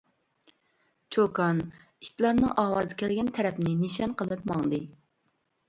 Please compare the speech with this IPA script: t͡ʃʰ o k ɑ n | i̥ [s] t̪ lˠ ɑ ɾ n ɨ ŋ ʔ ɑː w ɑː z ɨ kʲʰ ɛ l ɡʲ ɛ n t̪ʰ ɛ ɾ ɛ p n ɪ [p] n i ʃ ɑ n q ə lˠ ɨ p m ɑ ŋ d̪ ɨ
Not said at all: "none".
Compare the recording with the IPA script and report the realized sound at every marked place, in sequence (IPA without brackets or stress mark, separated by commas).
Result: ʃ, none